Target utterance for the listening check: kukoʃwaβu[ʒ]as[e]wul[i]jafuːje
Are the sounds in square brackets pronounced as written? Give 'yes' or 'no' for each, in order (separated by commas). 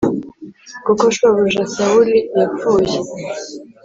yes, no, yes